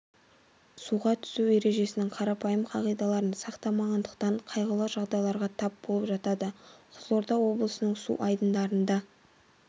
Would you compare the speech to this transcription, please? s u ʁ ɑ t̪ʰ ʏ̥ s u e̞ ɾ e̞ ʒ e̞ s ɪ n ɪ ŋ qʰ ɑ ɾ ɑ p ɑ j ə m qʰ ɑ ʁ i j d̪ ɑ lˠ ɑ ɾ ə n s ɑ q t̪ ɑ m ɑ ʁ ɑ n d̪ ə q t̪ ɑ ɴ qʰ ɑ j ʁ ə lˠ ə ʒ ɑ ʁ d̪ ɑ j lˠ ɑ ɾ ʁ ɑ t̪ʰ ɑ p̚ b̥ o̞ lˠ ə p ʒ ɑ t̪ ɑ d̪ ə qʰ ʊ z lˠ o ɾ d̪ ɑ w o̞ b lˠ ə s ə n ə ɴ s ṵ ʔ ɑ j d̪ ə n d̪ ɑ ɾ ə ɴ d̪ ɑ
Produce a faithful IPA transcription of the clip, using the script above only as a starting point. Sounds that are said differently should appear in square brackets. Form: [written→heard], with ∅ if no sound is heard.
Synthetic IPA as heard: s u ʁ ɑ t̪ʰ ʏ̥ s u e̞ ɾ e̞ ʒ e̞ s ɪ n ɪ ŋ qʰ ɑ ɾ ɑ p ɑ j ə m qʰ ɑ ʁ i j d̪ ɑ lˠ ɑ ɾ ə n s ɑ q t̪ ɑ m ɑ ʁ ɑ n d̪ ə q t̪ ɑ ɴ qʰ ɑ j ʁ ə lˠ ə ʒ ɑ ʁ d̪ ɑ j lˠ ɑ ɾ ʁ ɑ t̪ʰ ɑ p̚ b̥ o̞ lˠ ə p ʒ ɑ t̪ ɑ d̪ ə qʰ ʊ z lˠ o ɾ d̪ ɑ w o̞ b lˠ ə s ə n ə ɴ s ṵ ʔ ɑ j d̪ ə n d̪ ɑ ɾ ə [ɴ→n] d̪ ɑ

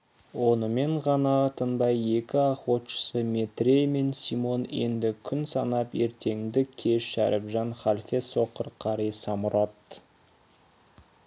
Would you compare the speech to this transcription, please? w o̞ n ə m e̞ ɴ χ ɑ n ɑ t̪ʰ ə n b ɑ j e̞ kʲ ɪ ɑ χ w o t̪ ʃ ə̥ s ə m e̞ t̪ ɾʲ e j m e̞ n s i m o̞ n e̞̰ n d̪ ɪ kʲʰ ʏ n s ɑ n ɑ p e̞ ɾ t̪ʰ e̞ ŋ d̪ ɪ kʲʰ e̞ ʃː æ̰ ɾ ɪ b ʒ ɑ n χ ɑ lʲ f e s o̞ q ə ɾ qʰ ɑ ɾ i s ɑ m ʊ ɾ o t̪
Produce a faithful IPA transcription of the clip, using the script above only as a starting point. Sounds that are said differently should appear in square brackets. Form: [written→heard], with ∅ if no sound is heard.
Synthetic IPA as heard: w o̞ n ə m e̞ ɴ [χ→ʁ] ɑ n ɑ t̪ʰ ə n b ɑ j e̞ kʲ ɪ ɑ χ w o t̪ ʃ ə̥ s ə m e̞ t̪ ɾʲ e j m e̞ n s i m o̞ n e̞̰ n d̪ ɪ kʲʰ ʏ n s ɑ n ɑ p e̞ ɾ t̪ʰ e̞ ŋ d̪ ɪ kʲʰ e̞ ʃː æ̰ ɾ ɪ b ʒ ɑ n χ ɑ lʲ f e s o̞ q ə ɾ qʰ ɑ ɾ i s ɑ m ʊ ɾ o t̪

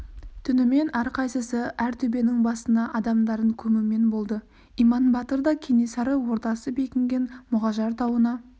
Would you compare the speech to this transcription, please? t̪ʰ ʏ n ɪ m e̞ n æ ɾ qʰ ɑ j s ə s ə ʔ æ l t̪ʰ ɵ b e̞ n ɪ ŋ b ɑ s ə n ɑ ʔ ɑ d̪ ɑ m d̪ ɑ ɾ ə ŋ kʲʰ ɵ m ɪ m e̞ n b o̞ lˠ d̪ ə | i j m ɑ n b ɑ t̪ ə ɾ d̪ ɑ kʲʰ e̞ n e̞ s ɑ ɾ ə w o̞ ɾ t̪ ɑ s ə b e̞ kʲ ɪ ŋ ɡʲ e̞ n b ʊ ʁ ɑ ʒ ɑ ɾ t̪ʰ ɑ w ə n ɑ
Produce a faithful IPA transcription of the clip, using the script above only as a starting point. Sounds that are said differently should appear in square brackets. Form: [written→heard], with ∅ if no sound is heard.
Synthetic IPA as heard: t̪ʰ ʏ n ɪ m e̞ n æ ɾ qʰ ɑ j s ə s ə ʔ æ [l→ɾ] t̪ʰ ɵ b e̞ n ɪ ŋ b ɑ s ə n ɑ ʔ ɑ d̪ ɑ m d̪ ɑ ɾ ə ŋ kʲʰ ɵ m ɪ m e̞ n b o̞ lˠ d̪ ə | i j m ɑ n b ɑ t̪ ə ɾ d̪ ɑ kʲʰ e̞ n e̞ s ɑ ɾ ə w o̞ ɾ t̪ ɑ s ə b e̞ kʲ ɪ ŋ ɡʲ e̞ n [b→m] ʊ ʁ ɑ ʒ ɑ ɾ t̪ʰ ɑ w ə n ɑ

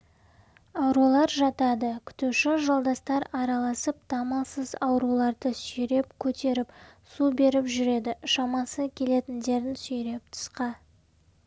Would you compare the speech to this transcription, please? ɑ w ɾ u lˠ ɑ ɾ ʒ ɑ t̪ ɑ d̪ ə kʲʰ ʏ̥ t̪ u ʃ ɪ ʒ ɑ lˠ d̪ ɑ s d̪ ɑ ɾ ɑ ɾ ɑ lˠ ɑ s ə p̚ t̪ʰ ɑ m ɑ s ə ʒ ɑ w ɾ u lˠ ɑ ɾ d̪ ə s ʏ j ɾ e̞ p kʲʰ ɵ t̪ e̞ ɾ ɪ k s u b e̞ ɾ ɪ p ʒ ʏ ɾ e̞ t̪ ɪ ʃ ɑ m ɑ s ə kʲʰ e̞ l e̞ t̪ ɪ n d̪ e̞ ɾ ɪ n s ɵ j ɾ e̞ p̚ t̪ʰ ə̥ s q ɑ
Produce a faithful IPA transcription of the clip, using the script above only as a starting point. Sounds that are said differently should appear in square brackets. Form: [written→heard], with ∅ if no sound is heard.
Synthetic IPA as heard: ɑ w ɾ u lˠ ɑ ɾ ʒ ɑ t̪ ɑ d̪ ə kʲʰ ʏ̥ t̪ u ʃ ɪ ʒ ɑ lˠ d̪ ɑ s [d̪→t̪] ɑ ɾ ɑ ɾ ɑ lˠ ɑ s ə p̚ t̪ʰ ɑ m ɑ s ə [ʒ→z] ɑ w ɾ u lˠ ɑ ɾ d̪ ə s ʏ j ɾ e̞ p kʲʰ ɵ t̪ e̞ ɾ ɪ [k→p] s u b e̞ ɾ ɪ p ʒ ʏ ɾ e̞ [t̪→d̪] ɪ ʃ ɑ m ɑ s ə kʲʰ e̞ l e̞ t̪ ɪ n d̪ e̞ ɾ ɪ n s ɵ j ɾ e̞ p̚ t̪ʰ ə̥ s q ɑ

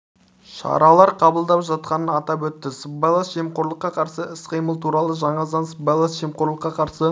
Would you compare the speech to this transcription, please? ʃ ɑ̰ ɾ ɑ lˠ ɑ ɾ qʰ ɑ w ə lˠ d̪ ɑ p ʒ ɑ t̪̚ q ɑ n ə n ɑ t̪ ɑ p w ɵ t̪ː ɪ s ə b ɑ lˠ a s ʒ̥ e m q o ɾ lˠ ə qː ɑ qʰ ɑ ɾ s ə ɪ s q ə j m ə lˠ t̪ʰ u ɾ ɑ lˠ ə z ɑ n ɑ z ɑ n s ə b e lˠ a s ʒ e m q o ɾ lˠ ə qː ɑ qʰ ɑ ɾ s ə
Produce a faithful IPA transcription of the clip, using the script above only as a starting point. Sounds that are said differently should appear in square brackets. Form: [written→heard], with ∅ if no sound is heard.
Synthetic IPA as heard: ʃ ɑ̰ ɾ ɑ lˠ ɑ ɾ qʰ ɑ [w→b] ə lˠ d̪ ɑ p ʒ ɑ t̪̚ q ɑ n ə n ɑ t̪ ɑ p w ɵ t̪ː ɪ s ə b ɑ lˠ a s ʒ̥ e m q o ɾ lˠ ə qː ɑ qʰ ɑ ɾ s ə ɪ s q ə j m ə lˠ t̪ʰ u ɾ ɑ lˠ ə [z→ʒ] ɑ [n→ɴ] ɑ z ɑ n s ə b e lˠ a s ʒ e m q o ɾ lˠ ə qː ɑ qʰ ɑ ɾ s ə

